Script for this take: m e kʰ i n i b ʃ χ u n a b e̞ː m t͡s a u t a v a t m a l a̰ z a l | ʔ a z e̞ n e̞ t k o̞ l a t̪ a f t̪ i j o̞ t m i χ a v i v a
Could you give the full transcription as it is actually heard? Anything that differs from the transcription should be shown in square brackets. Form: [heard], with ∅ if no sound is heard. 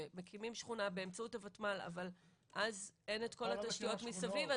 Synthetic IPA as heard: m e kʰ i [m] i [m] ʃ χ u n a b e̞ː m t͡s a u t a v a t m a l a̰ [v] a l | ʔ a z e̞ n e̞ t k o̞ l a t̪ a [ʃ] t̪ i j o̞ t m i [s] a v i v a